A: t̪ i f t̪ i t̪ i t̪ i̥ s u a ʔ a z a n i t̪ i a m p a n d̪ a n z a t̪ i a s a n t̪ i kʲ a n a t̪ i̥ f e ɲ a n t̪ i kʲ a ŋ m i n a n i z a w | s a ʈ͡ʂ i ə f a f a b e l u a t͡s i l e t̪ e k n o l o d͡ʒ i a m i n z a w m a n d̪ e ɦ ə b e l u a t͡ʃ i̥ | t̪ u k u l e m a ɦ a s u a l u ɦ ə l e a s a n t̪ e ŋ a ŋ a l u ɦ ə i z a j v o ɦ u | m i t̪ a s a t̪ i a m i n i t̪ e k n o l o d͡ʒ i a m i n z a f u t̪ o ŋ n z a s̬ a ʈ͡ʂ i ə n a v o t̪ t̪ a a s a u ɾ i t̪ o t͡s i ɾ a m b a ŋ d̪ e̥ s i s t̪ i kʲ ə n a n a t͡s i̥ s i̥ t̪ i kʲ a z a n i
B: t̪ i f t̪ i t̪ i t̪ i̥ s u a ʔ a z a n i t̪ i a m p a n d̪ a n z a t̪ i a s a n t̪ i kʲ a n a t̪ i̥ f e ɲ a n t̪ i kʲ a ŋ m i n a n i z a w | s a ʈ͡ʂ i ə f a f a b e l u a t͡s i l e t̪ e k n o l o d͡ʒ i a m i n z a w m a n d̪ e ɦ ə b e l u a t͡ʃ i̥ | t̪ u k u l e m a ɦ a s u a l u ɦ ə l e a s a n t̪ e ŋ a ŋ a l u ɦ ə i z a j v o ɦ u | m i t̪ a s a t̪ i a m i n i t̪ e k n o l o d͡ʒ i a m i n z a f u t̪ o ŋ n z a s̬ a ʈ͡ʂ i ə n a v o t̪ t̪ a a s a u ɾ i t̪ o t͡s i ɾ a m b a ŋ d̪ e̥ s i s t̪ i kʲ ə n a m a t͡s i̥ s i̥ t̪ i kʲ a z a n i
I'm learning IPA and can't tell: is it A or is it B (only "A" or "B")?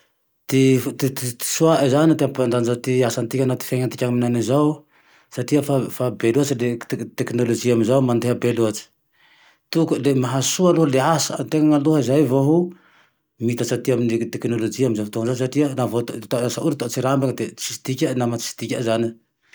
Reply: B